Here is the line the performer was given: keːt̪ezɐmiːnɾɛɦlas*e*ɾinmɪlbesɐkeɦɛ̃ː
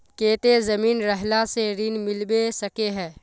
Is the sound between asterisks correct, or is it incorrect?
correct